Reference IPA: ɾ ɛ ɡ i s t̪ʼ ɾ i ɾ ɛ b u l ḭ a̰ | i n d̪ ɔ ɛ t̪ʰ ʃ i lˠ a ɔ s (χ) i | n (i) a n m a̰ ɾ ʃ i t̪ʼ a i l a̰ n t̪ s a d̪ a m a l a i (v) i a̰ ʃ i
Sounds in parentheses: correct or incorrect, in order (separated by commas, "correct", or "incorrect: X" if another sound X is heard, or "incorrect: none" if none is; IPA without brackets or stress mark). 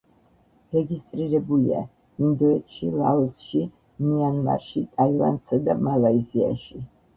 incorrect: ʃ, correct, incorrect: z